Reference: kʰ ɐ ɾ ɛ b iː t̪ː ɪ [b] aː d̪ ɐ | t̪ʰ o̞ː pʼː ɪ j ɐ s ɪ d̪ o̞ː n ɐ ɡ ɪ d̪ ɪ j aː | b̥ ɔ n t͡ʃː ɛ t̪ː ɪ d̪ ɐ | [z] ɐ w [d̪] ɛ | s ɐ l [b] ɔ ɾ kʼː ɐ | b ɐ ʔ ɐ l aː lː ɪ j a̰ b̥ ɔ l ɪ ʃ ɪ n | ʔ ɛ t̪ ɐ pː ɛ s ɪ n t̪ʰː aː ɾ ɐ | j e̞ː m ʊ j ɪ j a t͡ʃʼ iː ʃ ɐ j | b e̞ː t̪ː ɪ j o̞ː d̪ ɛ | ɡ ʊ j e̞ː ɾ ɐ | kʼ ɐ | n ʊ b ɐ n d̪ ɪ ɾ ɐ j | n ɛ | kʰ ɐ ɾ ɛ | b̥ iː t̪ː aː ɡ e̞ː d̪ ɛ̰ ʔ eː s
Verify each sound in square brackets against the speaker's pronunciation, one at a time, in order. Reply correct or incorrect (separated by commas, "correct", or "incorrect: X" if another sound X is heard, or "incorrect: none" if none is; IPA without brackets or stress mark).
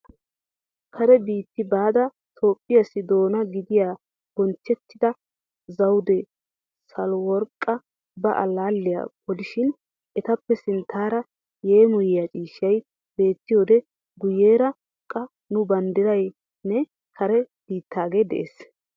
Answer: correct, correct, correct, incorrect: w